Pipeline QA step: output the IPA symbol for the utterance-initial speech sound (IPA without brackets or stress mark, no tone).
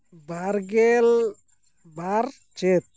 b